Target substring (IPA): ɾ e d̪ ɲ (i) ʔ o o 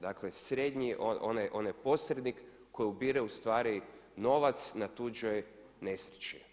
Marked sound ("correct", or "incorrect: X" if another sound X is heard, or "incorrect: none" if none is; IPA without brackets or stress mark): correct